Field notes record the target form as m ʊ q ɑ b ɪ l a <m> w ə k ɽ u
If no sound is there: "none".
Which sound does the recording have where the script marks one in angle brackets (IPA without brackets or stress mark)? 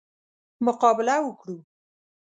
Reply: none